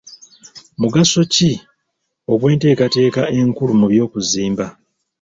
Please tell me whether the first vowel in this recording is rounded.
yes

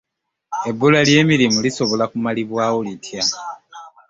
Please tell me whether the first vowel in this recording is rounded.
no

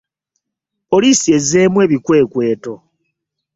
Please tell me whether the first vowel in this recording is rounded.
yes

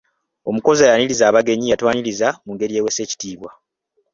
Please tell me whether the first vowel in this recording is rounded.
yes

